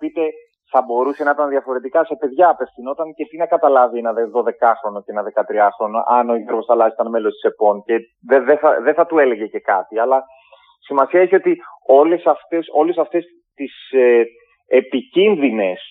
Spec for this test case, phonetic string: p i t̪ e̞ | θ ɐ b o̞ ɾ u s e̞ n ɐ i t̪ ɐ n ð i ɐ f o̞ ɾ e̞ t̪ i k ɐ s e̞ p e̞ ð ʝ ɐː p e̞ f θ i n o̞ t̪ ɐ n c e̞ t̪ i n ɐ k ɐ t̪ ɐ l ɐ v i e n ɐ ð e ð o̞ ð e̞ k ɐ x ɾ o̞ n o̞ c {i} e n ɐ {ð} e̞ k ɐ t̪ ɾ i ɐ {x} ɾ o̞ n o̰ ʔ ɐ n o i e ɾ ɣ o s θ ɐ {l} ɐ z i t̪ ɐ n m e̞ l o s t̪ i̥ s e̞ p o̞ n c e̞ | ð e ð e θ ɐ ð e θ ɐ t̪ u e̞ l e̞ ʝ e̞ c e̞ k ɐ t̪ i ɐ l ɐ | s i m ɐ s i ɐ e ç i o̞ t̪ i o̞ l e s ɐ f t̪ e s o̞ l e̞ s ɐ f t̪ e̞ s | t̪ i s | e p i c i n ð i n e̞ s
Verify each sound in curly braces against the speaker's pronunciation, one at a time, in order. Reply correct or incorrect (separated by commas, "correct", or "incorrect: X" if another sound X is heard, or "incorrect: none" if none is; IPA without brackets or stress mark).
incorrect: e, correct, correct, correct